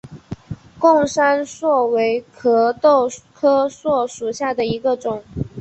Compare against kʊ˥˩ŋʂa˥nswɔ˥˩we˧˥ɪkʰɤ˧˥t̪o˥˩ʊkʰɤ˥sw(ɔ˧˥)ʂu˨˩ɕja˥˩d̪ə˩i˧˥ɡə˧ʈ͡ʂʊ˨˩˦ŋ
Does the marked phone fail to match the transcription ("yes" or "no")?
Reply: yes